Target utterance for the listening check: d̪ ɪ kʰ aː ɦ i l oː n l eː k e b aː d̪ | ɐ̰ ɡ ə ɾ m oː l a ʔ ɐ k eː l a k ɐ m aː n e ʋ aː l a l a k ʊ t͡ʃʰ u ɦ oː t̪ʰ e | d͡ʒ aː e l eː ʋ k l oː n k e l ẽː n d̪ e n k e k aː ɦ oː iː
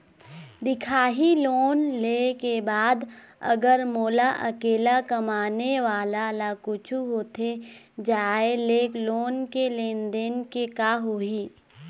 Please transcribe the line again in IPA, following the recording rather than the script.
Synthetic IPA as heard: d̪ ɪ kʰ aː ɦ i l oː n l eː k e b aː d̪ | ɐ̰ ɡ ə ɾ m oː l a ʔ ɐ k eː l a k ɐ m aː n e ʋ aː l a l a k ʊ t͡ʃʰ u ɦ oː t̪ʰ e | d͡ʒ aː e l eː k l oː n k e l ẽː n d̪ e n k e k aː ɦ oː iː